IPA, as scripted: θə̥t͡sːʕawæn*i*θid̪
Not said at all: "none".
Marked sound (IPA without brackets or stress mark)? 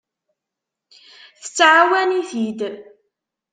i